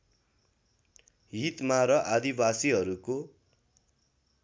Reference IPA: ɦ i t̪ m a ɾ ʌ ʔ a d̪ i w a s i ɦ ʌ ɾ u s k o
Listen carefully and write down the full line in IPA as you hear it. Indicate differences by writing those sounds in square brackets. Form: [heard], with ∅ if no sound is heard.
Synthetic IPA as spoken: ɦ i t̪ m a ɾ ʌ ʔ a d̪ i [b] a s i ɦ ʌ ɾ u [∅] k o